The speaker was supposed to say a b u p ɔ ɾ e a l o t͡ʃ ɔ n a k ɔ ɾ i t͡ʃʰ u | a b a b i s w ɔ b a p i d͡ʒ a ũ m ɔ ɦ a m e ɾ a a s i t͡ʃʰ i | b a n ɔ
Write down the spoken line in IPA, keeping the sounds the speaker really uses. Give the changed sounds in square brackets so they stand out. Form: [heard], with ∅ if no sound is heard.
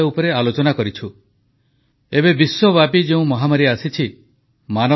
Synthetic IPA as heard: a [∅] u p ɔ ɾ e a l o t͡ʃ ɔ n a k ɔ ɾ i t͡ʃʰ u | [e] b [e] b i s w ɔ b a p i d͡ʒ [e] ũ m ɔ ɦ a m [a] ɾ [i] a s i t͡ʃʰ i | [m] a n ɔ